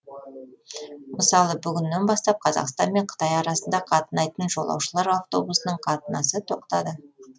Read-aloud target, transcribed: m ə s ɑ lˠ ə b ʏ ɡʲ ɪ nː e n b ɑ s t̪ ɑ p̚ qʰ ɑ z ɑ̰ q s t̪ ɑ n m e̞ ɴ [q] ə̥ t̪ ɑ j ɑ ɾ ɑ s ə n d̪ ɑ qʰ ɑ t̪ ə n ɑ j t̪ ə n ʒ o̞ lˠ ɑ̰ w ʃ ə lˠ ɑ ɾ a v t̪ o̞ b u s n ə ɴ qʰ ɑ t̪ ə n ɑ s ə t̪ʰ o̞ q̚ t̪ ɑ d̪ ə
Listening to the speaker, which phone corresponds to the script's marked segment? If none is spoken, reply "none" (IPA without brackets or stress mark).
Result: qʰ